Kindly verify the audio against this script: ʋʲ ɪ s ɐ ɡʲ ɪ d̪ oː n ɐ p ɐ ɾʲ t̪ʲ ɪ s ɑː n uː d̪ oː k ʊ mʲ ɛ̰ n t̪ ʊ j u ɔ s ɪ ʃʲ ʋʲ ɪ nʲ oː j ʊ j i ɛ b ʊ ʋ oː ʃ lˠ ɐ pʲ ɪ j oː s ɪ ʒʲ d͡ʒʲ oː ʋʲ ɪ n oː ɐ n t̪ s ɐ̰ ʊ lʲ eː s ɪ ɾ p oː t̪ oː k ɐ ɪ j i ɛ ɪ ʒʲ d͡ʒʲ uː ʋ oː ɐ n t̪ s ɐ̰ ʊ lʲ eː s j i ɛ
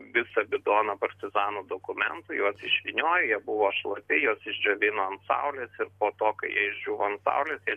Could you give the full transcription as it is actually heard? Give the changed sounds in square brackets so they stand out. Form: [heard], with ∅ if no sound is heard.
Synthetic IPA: ʋʲ ɪ s ɐ [bʲ] ɪ d̪ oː n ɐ p ɐ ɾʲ t̪ʲ ɪ [z] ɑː n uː d̪ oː k ʊ mʲ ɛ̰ n t̪ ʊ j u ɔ s ɪ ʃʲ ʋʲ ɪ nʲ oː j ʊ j i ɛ b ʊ ʋ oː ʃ lˠ ɐ pʲ ɪ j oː s ɪ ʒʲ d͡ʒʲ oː ʋʲ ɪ n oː ɐ n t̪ s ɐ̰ ʊ lʲ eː s ɪ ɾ p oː t̪ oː k ɐ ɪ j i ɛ ɪ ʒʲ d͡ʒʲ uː ʋ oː ɐ n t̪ s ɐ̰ ʊ lʲ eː s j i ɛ